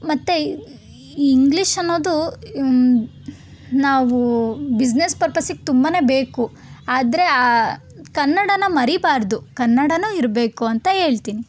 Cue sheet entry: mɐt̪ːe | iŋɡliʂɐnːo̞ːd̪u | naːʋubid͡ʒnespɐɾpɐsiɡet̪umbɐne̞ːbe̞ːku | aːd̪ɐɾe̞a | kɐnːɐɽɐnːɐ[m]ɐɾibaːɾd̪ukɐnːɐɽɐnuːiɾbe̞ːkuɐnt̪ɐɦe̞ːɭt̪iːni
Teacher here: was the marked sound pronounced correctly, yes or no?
yes